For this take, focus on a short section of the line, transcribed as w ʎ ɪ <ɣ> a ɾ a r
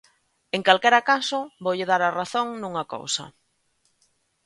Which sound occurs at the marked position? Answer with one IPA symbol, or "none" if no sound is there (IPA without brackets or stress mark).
ð